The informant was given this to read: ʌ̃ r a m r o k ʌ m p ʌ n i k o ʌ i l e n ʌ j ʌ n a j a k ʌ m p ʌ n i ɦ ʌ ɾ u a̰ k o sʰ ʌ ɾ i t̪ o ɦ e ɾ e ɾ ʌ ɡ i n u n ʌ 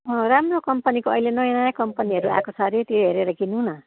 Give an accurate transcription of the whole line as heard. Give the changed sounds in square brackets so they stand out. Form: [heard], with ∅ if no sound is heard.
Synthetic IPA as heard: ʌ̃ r a m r o k ʌ m p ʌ n i k o ʌ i l e n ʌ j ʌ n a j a k ʌ m p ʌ n i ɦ ʌ ɾ u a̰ k o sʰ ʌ ɾ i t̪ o ɦ e ɾ e ɾ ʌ ɡ i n u n ʌ